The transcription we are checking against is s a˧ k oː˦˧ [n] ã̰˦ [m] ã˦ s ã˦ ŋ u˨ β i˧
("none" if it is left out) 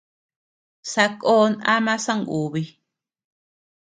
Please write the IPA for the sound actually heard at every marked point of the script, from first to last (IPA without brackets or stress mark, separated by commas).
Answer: n, m